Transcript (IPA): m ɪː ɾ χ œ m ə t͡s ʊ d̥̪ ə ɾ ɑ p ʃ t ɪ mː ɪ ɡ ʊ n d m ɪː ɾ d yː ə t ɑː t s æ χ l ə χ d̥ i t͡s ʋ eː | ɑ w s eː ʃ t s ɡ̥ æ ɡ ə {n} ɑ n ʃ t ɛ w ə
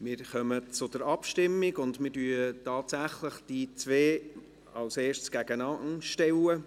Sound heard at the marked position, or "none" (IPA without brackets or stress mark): n